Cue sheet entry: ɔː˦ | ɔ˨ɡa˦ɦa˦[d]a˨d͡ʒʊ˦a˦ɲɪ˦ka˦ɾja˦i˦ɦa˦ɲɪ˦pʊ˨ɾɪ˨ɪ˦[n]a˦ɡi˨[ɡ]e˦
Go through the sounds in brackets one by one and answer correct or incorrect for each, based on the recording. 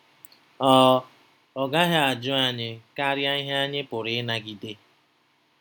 incorrect, correct, incorrect

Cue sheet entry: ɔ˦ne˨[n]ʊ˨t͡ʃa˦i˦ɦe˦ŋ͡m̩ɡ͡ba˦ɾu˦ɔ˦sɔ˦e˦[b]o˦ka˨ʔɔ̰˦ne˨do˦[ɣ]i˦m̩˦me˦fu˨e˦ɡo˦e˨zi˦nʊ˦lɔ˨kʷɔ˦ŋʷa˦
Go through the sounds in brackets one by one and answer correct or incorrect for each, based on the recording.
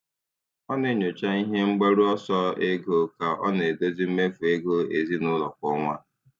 incorrect, incorrect, incorrect

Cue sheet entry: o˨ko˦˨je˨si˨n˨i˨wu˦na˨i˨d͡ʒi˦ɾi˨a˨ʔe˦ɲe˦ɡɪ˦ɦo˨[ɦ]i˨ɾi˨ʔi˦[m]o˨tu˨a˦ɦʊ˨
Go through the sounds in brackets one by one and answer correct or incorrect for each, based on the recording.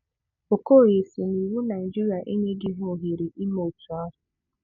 correct, correct

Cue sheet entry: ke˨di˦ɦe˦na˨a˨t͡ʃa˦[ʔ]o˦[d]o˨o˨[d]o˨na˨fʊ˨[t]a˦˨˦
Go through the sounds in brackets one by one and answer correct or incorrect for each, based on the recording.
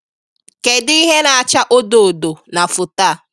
correct, correct, correct, correct

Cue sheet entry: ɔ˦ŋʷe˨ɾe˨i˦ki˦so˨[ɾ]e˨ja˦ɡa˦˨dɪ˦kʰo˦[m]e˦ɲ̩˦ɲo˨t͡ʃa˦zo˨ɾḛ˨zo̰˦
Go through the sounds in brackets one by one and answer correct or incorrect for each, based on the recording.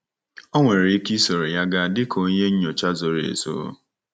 correct, incorrect

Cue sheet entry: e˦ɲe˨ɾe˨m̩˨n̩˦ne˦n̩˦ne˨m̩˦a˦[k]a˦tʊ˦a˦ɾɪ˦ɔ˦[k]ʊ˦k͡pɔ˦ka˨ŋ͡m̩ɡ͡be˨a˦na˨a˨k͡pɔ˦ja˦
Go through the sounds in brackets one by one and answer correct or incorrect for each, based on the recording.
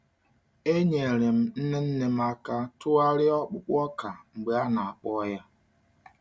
correct, incorrect

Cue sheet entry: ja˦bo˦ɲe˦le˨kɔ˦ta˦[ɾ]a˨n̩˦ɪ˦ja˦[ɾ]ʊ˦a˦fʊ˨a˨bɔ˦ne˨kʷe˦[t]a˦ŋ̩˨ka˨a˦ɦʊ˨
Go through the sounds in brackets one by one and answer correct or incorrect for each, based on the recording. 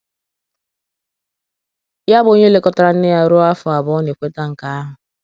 correct, correct, correct

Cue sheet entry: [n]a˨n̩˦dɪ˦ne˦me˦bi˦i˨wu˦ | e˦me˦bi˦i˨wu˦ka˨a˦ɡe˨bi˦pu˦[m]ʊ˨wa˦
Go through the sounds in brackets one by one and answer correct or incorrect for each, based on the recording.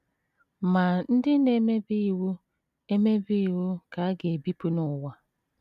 incorrect, incorrect

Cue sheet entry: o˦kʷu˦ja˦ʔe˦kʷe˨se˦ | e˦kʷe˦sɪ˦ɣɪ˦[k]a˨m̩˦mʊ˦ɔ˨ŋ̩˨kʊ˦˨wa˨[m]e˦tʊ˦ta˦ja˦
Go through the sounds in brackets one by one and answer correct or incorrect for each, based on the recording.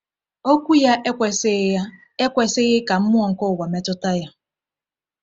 correct, correct

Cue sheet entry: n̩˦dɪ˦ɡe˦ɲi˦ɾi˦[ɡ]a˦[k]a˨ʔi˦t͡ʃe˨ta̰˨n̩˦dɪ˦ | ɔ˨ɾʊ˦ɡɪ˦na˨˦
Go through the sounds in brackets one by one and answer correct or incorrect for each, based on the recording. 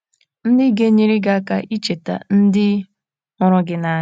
correct, correct

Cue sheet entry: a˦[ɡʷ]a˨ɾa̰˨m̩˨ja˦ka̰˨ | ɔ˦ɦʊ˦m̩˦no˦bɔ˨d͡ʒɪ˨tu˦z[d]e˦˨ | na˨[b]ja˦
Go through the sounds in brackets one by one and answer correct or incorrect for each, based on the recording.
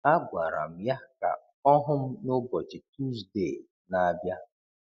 correct, correct, correct

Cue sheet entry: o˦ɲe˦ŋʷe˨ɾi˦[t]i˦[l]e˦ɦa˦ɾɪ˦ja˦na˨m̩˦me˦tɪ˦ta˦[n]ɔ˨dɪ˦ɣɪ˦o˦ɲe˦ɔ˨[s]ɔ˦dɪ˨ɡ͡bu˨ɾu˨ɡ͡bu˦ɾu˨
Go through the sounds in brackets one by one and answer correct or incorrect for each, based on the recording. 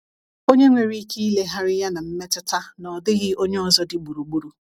incorrect, correct, correct, incorrect

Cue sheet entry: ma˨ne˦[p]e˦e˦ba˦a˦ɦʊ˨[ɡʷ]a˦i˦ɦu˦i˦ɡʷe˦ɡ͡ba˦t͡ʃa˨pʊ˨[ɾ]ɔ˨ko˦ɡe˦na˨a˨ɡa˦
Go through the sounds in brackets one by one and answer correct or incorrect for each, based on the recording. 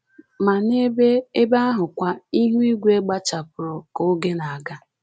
incorrect, incorrect, correct

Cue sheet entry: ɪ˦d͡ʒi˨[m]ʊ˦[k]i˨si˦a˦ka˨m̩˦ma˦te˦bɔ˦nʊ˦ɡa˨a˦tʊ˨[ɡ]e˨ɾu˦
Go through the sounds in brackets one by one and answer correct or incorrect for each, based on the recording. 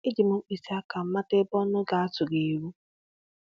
correct, incorrect, correct

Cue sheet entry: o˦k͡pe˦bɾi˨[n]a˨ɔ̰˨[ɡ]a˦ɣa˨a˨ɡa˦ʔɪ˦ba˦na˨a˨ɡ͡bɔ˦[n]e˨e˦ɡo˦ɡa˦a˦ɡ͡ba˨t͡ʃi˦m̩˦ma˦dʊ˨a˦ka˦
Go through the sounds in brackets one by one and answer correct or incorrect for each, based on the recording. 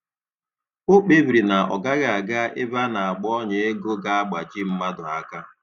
correct, correct, incorrect

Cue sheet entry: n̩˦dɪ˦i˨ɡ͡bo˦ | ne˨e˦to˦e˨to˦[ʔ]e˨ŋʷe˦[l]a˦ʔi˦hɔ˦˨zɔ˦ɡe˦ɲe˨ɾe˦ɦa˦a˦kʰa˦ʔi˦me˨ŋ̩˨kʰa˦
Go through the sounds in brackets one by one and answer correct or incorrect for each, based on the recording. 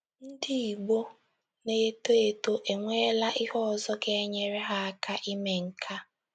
correct, correct

